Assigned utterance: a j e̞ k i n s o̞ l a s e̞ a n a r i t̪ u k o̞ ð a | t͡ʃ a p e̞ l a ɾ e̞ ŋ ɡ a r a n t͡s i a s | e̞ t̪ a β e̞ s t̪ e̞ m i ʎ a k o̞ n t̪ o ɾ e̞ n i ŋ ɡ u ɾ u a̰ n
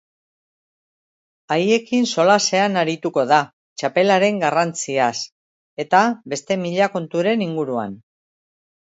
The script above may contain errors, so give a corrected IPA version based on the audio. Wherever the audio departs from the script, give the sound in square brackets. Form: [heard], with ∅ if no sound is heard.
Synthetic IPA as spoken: a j e̞ k i n s o̞ l a s e̞ a n a [ɾ] i t̪ u k o̞ ð a | t͡ʃ a p e̞ l a ɾ e̞ ŋ ɡ a r a n t͡s i a s | e̞ t̪ a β e̞ s t̪ e̞ m i ʎ a k o̞ n t̪ [u] ɾ e̞ n i ŋ ɡ u ɾ u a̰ n